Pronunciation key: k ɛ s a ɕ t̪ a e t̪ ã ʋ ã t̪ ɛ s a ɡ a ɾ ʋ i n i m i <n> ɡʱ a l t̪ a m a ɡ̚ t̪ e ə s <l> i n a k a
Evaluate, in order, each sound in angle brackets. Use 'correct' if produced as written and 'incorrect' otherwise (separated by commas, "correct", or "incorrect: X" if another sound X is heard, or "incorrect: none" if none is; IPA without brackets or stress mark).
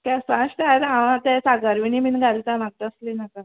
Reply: correct, correct